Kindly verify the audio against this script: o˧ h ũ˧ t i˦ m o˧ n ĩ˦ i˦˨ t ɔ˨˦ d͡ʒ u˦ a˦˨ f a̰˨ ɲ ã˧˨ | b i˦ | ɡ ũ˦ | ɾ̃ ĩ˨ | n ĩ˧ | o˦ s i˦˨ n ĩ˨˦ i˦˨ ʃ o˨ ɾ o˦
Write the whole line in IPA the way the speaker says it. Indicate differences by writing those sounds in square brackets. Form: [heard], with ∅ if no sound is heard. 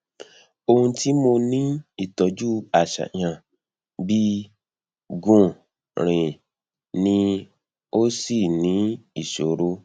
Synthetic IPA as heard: o˧ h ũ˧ t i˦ m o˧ n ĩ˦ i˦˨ t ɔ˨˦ d͡ʒ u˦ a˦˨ [ʃ] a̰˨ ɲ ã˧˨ | b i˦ | ɡ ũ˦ | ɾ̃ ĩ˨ | n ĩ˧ | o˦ s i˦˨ n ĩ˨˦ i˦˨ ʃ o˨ ɾ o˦